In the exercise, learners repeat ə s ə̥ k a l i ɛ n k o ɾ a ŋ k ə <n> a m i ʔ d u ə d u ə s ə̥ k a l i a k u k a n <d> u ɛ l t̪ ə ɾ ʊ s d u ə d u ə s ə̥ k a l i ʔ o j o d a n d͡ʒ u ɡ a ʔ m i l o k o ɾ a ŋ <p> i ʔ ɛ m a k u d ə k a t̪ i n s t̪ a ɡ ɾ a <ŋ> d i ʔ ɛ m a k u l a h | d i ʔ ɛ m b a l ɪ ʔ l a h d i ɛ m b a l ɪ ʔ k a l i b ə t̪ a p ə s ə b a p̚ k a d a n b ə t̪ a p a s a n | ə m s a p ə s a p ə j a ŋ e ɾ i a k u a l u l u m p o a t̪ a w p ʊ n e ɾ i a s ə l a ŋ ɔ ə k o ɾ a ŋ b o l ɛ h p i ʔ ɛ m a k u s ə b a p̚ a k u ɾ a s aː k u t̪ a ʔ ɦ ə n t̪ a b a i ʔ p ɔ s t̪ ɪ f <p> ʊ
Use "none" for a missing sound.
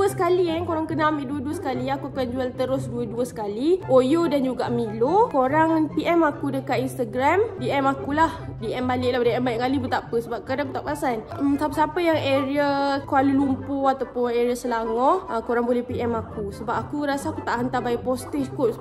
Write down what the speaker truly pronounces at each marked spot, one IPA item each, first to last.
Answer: n, d͡ʒ, p, m, k

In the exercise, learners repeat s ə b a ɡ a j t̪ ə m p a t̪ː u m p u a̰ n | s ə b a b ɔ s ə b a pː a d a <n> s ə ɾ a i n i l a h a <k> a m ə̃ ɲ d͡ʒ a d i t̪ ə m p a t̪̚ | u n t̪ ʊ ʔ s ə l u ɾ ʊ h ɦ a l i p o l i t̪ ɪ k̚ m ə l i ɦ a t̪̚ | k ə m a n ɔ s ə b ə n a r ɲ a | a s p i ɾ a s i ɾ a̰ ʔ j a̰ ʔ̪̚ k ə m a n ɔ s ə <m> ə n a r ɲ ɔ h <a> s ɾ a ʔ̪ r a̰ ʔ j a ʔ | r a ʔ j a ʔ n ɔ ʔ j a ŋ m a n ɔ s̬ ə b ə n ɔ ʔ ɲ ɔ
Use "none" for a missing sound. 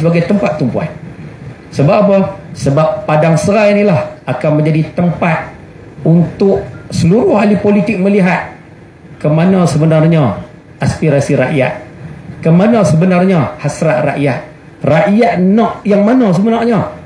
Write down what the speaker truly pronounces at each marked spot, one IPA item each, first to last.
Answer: ŋ, k, b, a

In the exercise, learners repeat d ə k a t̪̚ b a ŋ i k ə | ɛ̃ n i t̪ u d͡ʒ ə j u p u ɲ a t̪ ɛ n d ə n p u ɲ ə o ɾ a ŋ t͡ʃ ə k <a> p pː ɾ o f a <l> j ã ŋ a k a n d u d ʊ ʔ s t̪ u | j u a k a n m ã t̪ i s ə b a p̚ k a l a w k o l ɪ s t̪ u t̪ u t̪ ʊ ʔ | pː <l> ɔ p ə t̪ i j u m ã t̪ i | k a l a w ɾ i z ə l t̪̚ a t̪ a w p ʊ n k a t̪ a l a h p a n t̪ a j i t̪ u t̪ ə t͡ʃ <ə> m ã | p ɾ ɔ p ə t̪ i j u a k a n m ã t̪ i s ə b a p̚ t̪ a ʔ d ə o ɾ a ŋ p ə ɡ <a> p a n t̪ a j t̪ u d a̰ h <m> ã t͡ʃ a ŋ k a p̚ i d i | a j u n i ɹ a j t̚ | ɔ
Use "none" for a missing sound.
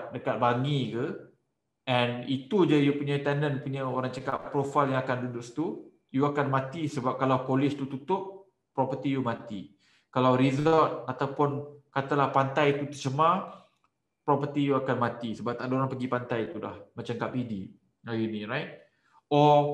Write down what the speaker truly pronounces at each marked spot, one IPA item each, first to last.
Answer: a, l, ɾ, ə, i, m

